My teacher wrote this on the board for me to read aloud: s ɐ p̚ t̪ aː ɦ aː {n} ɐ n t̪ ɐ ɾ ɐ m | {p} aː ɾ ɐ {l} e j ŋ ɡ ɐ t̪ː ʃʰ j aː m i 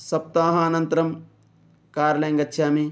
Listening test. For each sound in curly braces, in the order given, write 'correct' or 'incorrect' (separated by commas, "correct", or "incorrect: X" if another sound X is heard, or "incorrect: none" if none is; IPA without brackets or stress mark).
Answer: correct, incorrect: k, correct